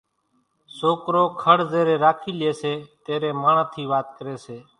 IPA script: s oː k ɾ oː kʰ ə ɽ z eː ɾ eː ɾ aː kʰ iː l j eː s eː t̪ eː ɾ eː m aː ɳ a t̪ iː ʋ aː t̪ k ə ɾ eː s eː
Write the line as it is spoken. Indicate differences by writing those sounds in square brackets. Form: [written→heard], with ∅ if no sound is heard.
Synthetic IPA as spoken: s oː k ɾ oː kʰ ə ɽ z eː ɾ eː ɾ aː kʰ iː l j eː s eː t̪ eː ɾ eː m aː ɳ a [t̪→t̪ʰ] iː ʋ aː t̪ k ə ɾ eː s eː